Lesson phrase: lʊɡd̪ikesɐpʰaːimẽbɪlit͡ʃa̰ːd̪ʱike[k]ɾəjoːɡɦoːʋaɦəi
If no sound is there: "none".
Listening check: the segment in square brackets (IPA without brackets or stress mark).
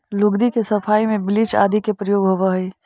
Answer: p